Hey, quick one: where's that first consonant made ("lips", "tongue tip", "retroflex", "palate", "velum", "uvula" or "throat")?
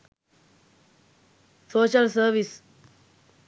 tongue tip